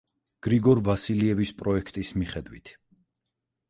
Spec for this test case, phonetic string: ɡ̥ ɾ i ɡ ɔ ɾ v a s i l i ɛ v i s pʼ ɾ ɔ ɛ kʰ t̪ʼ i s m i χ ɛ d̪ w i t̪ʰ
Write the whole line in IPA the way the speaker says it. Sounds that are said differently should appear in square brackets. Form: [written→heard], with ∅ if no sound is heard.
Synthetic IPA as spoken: ɡ̥ ɾ i ɡ ɔ ɾ v a s i l i ɛ v i s pʼ ɾ ɔ ɛ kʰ t̪ʼ i s m i χ ɛ d̪ w i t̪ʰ

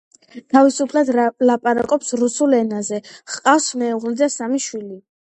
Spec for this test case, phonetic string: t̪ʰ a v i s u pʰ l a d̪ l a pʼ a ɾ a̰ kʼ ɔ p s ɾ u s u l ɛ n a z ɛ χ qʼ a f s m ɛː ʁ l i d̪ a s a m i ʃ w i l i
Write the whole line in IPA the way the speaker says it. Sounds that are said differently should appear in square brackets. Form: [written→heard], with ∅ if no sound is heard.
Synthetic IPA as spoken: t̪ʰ a v i s u pʰ l a d̪ l a pʼ a ɾ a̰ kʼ ɔ p s ɾ u s u l ɛ n a z ɛ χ qʼ a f s m ɛː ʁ l i d̪ a s a m i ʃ w i l i

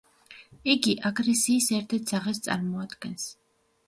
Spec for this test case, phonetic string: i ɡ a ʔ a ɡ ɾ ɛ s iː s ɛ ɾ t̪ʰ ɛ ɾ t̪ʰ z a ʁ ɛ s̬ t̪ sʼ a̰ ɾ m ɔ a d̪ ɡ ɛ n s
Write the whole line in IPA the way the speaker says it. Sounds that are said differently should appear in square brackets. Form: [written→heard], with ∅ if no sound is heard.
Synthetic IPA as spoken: i ɡ [a→i] ʔ a ɡ ɾ ɛ s iː s ɛ ɾ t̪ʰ ɛ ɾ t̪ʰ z a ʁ ɛ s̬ t̪ sʼ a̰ ɾ m ɔ a d̪ ɡ ɛ n s

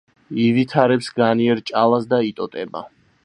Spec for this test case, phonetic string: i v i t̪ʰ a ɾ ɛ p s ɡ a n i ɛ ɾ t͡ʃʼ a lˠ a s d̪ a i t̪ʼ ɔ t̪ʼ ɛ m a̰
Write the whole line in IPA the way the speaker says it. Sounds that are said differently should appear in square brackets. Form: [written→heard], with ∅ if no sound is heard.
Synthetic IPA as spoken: i v i t̪ʰ a ɾ ɛ p s ɡ a n i ɛ ɾ t͡ʃʼ a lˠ a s d̪ a i t̪ʼ ɔ t̪ʼ ɛ [m→b] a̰

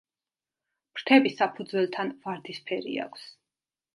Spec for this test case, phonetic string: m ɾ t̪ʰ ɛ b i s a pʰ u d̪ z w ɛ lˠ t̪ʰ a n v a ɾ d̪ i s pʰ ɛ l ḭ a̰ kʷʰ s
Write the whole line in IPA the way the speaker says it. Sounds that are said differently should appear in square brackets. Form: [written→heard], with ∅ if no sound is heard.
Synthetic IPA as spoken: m ɾ t̪ʰ ɛ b i s a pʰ u d̪ z w ɛ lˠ t̪ʰ a n v a ɾ d̪ i s pʰ ɛ [l→ɾ] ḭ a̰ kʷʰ s

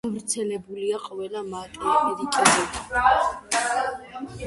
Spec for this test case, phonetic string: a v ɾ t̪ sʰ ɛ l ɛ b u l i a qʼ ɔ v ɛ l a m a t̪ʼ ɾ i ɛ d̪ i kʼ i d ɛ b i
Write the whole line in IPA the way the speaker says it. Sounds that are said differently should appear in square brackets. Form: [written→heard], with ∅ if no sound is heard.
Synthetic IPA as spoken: a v ɾ t̪ sʰ ɛ l ɛ b u l i a qʼ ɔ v ɛ l a m a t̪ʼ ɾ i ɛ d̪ i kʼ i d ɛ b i

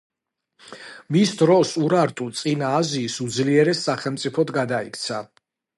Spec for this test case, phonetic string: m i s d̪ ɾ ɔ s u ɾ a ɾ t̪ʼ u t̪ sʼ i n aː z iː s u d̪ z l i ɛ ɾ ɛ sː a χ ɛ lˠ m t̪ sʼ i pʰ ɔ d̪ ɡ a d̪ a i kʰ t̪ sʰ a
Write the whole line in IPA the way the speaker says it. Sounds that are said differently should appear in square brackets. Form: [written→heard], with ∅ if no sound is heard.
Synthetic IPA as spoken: m i s d̪ ɾ ɔ s u ɾ a ɾ t̪ʼ u t̪ sʼ i n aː z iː s u d̪ z l i ɛ ɾ ɛ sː a χ ɛ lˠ m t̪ sʼ i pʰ ɔ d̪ ɡ a d̪ a i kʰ t̪ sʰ a

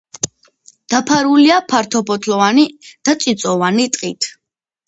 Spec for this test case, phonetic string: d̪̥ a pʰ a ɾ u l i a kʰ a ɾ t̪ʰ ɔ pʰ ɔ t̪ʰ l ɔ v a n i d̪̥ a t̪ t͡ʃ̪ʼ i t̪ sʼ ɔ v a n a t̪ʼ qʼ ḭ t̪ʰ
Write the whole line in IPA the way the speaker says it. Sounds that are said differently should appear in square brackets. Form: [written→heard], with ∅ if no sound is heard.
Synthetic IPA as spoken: d̪̥ a pʰ a ɾ u l i a [kʰ→pʰ] a ɾ t̪ʰ ɔ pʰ ɔ t̪ʰ l ɔ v a n i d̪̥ a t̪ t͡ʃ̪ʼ i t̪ sʼ ɔ v a n [a→i] t̪ʼ qʼ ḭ t̪ʰ

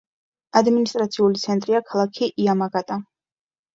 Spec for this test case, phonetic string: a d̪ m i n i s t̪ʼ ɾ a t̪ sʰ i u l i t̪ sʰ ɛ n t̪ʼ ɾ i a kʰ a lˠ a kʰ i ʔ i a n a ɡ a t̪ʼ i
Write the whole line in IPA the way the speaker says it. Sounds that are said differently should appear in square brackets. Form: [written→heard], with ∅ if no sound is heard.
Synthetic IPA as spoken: a d̪ m i n i s t̪ʼ ɾ a t̪ sʰ i u l i t̪ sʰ ɛ n t̪ʼ ɾ i a kʰ a lˠ a kʰ i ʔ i a [n→m] a ɡ a t̪ʼ [i→a]

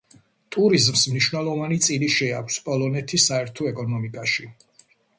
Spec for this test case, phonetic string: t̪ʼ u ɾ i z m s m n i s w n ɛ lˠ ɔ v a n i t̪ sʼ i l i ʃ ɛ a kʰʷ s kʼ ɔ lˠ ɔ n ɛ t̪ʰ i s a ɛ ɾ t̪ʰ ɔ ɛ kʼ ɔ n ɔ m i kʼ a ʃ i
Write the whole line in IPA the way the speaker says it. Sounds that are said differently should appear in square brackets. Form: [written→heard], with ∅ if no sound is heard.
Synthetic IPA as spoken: t̪ʼ u ɾ i z m s m n i [s→ʃ] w n ɛ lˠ ɔ v a n i t̪ sʼ i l i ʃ ɛ a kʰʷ s [kʼ→pʼ] ɔ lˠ ɔ n ɛ t̪ʰ i s a ɛ ɾ t̪ʰ ɔ ɛ kʼ ɔ n ɔ m i kʼ a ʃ i

